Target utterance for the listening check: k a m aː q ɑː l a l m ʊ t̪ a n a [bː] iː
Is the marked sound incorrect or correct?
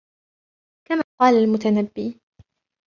correct